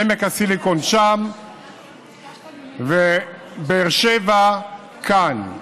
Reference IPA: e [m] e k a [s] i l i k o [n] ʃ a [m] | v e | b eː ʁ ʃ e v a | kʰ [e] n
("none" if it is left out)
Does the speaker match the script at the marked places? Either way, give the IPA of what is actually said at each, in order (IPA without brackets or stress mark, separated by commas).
m, s, n, m, a